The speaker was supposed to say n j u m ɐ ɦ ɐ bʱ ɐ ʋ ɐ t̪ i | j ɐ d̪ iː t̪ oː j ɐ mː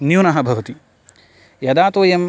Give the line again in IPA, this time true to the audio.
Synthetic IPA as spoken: n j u n ɐ ɦ ɐ bʱ ɐ ʋ ɐ t̪ i | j ɐ d̪ aː t̪ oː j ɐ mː